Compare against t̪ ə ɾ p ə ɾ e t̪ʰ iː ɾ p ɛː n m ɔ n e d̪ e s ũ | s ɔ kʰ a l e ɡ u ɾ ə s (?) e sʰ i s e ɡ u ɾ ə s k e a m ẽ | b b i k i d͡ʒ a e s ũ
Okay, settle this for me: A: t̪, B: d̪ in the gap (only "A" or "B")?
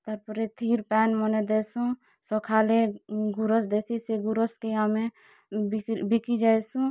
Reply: B